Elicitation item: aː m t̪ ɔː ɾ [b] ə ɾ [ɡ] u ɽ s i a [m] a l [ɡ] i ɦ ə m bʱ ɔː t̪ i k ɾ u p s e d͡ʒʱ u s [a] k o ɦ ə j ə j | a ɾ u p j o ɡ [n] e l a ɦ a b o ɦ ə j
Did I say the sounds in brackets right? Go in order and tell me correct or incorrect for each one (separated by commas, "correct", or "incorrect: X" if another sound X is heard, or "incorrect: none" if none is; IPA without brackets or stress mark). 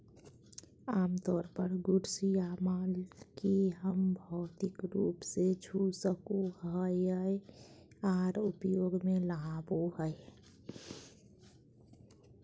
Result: incorrect: p, correct, correct, incorrect: k, incorrect: ə, incorrect: m